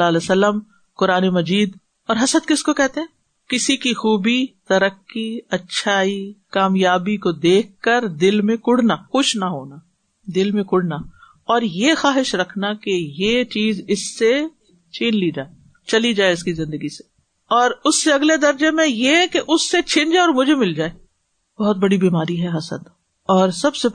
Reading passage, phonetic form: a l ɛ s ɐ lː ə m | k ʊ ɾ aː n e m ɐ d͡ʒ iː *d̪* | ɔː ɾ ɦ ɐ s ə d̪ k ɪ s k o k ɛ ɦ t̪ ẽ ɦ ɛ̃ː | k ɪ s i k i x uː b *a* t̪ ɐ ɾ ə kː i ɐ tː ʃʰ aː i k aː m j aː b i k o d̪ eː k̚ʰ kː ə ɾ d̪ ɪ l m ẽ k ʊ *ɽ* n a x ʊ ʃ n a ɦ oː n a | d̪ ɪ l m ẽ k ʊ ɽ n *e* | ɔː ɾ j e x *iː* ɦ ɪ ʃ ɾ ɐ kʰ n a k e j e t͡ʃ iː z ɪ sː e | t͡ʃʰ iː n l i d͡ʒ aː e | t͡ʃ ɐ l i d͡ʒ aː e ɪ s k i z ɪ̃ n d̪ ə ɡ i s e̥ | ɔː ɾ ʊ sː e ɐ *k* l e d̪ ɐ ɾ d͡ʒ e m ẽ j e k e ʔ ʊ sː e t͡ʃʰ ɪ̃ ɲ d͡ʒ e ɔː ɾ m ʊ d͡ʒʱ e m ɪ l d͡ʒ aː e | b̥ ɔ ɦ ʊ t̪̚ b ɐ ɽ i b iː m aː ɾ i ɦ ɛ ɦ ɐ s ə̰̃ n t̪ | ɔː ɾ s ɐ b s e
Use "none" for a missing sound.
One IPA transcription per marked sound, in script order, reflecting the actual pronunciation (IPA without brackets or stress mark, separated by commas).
d̪, i, ɽ, a, aː, ɡ